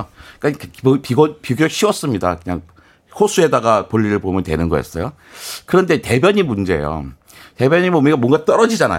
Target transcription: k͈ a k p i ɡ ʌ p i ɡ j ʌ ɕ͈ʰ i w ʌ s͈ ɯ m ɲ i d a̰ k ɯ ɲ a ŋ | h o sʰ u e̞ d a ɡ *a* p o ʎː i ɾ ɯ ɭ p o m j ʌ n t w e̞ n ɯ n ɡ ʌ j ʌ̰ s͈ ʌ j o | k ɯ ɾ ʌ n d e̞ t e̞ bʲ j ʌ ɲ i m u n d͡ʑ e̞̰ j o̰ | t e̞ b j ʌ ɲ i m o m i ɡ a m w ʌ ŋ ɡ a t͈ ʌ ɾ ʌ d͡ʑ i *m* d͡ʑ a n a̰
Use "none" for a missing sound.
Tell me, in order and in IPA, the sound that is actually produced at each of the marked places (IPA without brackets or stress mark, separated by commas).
a, none